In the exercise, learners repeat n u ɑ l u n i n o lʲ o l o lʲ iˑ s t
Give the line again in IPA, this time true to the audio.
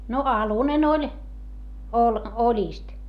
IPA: n o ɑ l u n e n o lʲ o l o lʲ iˑ s t